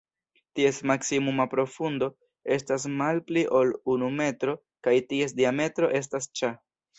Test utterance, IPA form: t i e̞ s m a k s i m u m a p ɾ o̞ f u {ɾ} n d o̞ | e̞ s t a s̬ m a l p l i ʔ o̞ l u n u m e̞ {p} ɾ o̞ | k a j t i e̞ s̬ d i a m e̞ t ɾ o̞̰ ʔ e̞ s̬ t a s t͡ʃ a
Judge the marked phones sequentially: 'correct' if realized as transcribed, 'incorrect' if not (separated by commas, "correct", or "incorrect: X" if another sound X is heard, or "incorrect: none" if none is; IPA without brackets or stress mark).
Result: incorrect: none, incorrect: t